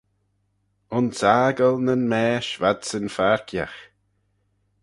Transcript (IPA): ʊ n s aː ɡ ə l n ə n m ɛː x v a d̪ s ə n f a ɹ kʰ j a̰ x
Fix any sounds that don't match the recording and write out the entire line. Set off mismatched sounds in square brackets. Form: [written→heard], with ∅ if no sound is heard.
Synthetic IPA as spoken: ʊ n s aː ɡ ə l n ə n m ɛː [x→ʃ] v a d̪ s ə n f a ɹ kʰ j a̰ x